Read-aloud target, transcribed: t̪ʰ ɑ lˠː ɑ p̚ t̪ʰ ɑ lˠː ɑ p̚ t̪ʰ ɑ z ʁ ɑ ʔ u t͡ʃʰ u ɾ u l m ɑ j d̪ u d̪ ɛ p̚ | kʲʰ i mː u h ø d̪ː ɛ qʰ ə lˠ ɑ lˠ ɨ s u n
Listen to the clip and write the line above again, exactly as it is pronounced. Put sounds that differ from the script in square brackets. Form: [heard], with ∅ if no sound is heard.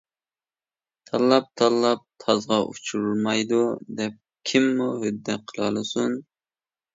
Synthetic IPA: t̪ʰ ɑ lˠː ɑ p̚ t̪ʰ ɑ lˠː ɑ p̚ t̪ʰ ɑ z ʁ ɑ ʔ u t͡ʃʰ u ɾ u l m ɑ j d̪ u d̪ ɛ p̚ | kʲʰ i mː u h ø d̪ː ɛ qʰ ə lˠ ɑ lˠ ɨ s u n